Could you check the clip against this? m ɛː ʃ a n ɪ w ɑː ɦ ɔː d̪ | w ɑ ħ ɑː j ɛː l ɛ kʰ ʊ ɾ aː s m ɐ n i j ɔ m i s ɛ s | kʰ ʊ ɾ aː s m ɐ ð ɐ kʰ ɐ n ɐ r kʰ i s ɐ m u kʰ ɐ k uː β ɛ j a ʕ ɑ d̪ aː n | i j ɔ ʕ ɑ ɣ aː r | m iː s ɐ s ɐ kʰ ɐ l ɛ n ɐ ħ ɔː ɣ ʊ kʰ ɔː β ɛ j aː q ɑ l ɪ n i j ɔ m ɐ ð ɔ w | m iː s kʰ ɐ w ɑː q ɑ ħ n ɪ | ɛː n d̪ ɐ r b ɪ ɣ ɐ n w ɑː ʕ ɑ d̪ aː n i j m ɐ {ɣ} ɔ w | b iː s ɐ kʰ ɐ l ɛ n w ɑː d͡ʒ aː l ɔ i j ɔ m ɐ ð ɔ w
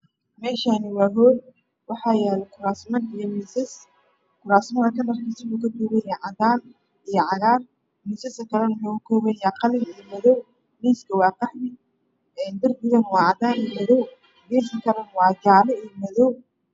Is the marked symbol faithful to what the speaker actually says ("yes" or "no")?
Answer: no